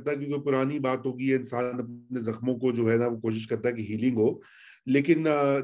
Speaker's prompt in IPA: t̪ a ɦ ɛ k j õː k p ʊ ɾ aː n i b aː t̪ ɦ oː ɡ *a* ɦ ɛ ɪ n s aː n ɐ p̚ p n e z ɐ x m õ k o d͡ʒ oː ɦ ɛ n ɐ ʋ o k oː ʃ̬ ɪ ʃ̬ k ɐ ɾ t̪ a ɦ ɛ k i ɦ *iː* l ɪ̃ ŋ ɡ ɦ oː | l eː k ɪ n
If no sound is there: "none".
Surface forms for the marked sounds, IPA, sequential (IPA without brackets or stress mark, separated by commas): i, iː